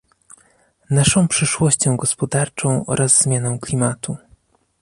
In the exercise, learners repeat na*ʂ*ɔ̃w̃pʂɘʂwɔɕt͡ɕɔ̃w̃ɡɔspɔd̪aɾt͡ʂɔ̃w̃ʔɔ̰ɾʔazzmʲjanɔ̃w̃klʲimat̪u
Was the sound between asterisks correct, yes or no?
yes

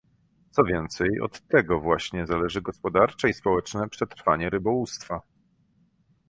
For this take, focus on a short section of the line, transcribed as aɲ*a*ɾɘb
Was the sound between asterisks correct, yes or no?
no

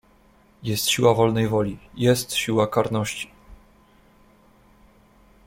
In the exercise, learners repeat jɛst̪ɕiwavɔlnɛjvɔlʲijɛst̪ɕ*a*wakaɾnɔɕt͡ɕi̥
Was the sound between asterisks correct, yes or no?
no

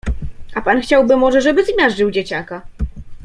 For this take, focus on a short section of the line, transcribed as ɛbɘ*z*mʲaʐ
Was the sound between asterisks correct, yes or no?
yes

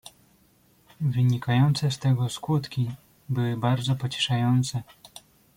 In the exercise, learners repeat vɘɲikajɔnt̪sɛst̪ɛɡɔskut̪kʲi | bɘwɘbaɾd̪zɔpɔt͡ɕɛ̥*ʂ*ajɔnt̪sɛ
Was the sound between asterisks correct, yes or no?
yes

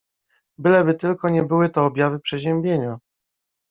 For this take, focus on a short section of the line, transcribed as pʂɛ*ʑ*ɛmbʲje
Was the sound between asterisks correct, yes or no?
yes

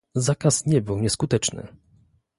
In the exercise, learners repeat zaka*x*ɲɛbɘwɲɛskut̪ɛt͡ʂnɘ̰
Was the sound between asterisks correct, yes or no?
no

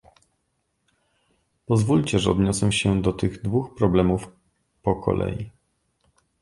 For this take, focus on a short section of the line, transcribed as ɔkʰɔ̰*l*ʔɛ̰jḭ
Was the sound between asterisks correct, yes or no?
yes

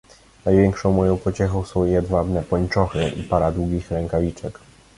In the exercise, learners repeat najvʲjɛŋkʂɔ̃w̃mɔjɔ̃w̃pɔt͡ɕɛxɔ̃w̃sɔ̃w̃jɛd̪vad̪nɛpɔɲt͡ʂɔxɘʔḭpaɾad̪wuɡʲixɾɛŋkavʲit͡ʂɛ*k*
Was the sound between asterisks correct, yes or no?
yes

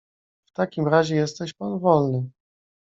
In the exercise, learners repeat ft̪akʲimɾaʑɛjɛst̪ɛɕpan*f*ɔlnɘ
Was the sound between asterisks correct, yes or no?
no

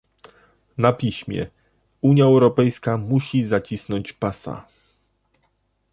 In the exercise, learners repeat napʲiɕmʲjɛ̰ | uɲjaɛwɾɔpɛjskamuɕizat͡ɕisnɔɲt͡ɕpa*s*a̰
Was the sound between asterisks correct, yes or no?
yes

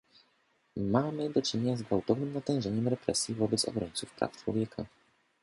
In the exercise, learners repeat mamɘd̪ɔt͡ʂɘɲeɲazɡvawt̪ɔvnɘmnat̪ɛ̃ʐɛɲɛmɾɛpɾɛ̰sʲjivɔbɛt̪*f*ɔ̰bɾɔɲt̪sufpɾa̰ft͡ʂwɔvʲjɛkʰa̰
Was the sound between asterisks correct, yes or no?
no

